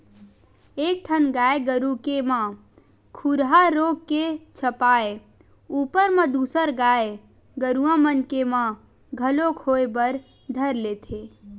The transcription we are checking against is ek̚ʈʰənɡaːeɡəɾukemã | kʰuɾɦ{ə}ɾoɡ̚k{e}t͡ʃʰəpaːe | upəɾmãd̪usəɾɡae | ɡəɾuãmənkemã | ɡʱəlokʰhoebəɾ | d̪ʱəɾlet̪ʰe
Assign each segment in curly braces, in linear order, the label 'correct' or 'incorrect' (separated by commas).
incorrect, correct